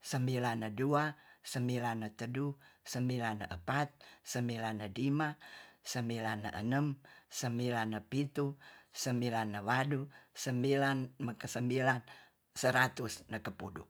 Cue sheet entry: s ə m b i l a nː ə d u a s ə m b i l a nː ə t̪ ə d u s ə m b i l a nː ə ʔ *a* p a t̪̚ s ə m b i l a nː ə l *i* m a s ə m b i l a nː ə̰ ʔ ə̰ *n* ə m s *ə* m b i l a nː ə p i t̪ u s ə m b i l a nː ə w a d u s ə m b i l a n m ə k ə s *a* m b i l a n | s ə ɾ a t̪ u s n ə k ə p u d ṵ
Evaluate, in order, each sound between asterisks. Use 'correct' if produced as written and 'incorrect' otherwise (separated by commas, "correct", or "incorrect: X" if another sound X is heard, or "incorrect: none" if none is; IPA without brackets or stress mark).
incorrect: ə, correct, correct, correct, incorrect: ə